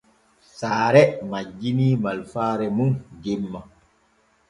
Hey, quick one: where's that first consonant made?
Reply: tongue tip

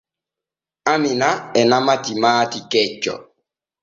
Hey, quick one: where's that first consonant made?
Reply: lips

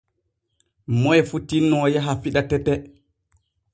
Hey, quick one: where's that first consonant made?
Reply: lips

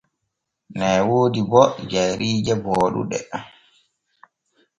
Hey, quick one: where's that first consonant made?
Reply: tongue tip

